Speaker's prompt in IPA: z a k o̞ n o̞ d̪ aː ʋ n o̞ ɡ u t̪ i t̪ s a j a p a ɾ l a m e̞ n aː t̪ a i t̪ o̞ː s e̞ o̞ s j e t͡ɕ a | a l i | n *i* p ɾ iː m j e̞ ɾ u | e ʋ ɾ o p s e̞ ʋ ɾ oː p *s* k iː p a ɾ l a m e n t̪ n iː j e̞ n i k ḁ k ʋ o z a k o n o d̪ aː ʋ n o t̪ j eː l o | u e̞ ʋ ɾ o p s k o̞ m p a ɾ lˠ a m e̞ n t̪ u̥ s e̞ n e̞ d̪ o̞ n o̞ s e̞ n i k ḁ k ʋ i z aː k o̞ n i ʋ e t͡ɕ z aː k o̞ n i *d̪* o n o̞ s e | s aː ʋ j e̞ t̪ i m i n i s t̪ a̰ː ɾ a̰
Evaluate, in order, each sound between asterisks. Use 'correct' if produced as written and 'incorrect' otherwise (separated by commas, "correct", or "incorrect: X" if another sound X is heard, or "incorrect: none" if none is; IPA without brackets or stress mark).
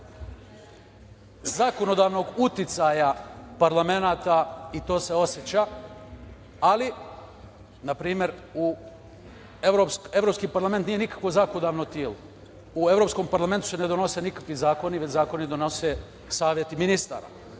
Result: incorrect: a, correct, correct